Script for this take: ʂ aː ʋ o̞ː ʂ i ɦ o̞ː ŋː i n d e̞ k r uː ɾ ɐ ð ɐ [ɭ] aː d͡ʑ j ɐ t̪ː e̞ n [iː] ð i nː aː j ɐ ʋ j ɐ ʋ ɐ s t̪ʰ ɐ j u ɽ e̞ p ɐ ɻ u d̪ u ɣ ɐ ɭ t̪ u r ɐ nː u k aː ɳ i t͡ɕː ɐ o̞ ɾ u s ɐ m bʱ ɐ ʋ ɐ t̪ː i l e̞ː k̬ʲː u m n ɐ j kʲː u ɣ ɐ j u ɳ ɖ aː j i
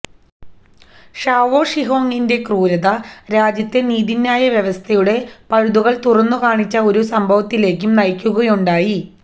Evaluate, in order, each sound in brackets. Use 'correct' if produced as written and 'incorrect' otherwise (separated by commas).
incorrect, correct